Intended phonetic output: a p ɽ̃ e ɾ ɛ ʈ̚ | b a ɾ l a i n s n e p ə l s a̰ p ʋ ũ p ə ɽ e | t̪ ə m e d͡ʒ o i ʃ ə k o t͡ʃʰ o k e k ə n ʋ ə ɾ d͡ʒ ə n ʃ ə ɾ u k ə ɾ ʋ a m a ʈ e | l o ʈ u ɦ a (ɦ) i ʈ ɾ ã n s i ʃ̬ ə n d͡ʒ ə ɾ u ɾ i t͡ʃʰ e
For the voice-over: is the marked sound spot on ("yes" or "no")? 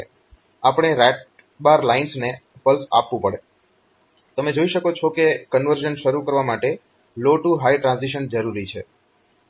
no